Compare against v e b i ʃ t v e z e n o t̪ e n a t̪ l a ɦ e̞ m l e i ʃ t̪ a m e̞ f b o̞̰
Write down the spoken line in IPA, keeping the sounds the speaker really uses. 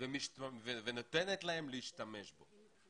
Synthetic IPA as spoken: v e m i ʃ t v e v e n o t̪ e n e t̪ l a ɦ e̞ m l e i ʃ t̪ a m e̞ ʃ b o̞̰